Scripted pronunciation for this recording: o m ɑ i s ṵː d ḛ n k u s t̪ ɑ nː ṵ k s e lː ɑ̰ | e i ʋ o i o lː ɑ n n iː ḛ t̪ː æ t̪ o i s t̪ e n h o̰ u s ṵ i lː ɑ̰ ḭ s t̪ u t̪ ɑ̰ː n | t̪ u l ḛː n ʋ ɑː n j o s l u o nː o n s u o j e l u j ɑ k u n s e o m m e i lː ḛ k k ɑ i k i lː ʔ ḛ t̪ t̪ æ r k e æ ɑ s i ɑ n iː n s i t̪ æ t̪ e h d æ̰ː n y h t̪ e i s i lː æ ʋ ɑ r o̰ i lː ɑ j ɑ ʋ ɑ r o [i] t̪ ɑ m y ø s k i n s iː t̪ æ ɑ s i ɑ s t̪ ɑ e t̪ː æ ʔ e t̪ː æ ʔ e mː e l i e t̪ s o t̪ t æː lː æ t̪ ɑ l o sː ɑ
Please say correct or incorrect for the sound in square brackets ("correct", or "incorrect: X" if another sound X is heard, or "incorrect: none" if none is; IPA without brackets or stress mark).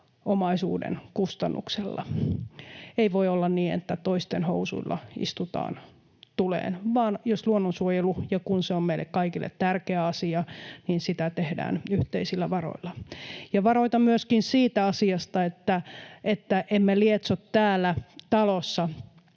correct